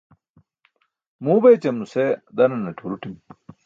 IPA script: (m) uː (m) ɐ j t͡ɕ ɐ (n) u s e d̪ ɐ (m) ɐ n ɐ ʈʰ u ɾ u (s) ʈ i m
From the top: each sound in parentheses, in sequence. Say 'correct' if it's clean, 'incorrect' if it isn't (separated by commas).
correct, incorrect, incorrect, incorrect, incorrect